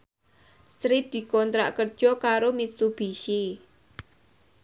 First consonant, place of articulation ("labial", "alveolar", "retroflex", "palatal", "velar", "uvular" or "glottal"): alveolar